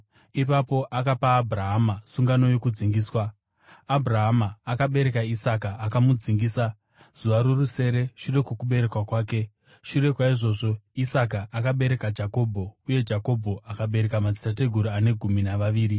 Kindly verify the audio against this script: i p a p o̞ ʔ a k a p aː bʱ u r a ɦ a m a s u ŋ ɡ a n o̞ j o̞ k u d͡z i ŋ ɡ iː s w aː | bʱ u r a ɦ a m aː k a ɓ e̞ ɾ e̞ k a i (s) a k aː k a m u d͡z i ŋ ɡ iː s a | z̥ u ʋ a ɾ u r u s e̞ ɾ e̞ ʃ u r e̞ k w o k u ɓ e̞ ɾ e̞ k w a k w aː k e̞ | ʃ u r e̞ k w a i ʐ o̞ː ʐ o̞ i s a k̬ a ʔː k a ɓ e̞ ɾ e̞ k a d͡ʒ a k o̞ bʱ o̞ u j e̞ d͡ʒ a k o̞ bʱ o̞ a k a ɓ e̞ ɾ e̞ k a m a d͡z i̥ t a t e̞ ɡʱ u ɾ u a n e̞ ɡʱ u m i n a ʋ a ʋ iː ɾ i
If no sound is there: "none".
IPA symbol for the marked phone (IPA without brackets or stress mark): s